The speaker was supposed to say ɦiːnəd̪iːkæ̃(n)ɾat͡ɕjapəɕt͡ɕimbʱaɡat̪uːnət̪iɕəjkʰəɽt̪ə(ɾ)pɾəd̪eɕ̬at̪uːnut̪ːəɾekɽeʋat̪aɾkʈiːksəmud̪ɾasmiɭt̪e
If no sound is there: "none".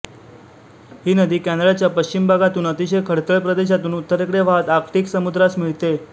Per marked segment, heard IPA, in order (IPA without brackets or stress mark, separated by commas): n, ɭ